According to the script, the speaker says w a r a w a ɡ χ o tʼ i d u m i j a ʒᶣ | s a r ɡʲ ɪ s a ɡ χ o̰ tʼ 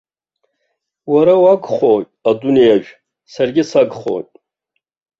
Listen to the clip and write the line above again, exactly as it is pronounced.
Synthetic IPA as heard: w a ɾ a w a ɡ χ o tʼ a d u n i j a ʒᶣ | s a r ɡʲ ɪ s a ɡ χ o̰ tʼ